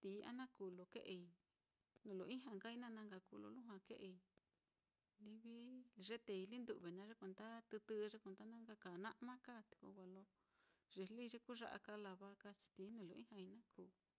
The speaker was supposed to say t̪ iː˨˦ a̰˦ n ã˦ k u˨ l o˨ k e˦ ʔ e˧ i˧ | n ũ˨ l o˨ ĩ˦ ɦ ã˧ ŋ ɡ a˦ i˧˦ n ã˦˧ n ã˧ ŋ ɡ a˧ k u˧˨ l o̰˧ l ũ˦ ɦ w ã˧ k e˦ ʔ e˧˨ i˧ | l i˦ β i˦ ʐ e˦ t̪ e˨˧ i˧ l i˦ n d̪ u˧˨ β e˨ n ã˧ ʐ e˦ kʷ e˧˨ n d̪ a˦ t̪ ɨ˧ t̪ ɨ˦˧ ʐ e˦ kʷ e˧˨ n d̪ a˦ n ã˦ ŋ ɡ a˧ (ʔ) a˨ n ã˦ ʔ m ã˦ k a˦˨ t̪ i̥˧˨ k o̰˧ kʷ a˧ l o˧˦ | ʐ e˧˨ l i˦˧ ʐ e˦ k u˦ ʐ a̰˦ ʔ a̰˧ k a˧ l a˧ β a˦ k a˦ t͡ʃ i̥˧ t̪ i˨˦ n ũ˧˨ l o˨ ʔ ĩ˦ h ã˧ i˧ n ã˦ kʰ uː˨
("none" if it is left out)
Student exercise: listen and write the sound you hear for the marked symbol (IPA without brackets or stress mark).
k